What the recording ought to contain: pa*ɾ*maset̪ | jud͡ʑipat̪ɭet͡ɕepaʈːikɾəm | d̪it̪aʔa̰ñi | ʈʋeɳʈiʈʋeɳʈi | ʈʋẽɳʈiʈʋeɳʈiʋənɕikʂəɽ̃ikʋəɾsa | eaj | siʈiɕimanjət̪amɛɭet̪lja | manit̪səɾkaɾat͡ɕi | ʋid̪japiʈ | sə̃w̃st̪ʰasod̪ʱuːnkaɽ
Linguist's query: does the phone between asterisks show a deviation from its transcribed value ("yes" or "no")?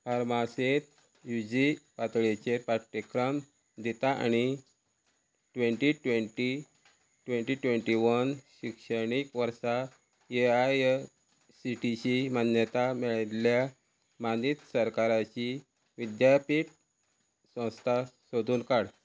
no